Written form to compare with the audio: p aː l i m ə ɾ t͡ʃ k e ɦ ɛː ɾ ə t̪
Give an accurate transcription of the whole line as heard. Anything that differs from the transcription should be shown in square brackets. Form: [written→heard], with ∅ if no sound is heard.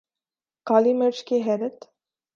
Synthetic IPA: [p→k] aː l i m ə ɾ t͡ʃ k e ɦ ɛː ɾ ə t̪